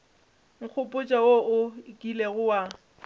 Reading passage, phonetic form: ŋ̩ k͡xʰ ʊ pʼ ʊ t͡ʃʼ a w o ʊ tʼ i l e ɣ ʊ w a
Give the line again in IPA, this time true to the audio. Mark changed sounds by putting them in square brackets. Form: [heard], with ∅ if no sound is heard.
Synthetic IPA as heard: ŋ̩ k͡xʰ ʊ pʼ ʊ t͡ʃʼ a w o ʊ [kʼ] i l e ɣ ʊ w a